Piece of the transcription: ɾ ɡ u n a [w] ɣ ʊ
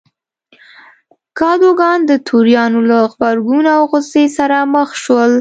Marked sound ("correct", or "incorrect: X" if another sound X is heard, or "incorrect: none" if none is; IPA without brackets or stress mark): correct